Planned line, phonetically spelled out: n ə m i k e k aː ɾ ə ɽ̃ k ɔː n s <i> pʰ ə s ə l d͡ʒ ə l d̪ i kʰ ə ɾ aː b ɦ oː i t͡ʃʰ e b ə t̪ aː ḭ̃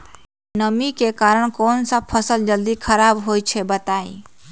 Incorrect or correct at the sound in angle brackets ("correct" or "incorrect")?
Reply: incorrect